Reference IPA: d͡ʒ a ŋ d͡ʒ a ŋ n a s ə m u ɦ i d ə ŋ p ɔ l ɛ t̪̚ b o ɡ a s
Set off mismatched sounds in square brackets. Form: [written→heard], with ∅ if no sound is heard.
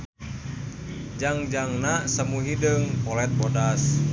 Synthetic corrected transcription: d͡ʒ a ŋ d͡ʒ a ŋ n a s ə m u ɦ i d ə ŋ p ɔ l ɛ t̪̚ b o [ɡ→d] a s